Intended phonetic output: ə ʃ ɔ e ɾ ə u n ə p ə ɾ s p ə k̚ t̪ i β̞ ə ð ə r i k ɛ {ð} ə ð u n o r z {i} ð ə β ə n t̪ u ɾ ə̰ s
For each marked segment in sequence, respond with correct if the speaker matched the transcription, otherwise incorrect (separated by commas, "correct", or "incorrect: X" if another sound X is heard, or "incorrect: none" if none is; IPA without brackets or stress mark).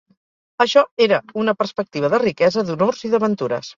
incorrect: z, correct